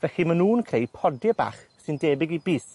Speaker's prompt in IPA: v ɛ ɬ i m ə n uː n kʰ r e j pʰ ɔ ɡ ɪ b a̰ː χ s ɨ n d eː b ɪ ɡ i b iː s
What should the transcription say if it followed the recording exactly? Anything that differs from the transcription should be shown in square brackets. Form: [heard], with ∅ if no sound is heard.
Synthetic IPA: v ɛ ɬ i m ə n uː n kʰ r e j pʰ ɔ [d] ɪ b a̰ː χ s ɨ n d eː b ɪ ɡ i b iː s